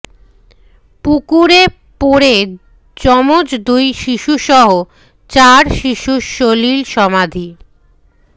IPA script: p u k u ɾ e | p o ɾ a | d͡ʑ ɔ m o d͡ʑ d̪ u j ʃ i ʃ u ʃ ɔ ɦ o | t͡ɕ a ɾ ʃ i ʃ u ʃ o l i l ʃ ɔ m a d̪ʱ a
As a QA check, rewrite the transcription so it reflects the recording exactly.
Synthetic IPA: p u k u ɾ e | p o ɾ e | d͡ʑ ɔ m o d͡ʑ d̪ u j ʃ i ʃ u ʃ ɔ ɦ o | t͡ɕ a ɾ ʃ i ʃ u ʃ o l i l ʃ ɔ m a d̪ʱ i